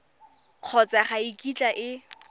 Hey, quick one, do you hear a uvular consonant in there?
yes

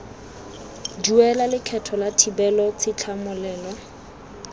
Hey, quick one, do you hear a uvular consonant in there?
no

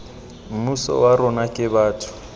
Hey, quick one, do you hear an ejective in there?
yes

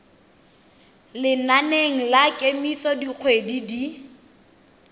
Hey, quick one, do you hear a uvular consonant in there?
no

